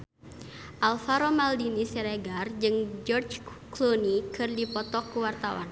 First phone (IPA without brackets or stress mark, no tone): ʔ